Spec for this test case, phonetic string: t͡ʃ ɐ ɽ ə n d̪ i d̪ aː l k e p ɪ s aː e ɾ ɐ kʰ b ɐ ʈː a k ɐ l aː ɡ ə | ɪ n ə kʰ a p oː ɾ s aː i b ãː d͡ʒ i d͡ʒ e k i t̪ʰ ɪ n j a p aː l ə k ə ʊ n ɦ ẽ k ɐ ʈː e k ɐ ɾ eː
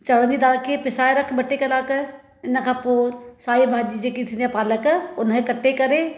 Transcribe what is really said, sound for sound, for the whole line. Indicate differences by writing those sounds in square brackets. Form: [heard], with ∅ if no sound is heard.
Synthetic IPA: t͡ʃ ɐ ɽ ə n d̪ i d̪ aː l k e p ɪ s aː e ɾ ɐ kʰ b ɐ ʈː [e] k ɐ l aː [k] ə | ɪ n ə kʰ a p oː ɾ s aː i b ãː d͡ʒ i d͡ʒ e k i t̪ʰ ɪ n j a p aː l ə k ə ʊ n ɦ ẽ k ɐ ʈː e k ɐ ɾ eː